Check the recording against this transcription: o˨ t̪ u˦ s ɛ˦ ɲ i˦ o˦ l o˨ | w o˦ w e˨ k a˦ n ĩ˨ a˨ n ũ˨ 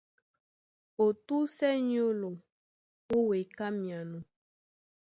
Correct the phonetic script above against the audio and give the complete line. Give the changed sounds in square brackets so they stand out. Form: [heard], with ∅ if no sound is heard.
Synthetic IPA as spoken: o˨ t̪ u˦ s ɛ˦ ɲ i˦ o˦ l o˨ | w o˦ w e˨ k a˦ [m] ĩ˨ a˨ n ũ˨